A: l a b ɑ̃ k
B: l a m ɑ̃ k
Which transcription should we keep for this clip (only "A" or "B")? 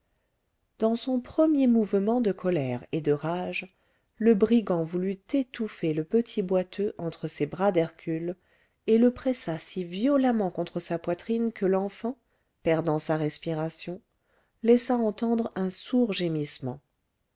B